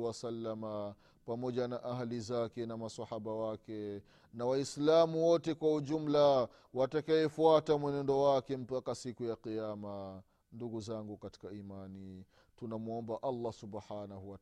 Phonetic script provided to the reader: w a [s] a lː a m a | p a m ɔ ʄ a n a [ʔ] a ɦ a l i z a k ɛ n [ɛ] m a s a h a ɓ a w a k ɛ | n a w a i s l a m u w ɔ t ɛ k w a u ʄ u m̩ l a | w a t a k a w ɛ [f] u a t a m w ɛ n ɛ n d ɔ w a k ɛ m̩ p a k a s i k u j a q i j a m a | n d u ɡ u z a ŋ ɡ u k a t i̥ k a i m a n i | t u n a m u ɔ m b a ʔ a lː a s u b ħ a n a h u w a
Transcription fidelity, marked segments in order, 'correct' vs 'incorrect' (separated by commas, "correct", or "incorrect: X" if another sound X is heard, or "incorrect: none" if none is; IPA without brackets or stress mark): correct, correct, incorrect: a, correct